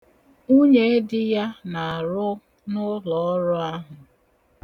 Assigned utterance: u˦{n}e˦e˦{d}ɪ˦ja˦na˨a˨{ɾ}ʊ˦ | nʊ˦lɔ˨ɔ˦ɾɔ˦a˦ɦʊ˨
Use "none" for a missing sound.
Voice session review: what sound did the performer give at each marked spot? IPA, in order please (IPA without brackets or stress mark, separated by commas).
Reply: ɲ, d, ɾ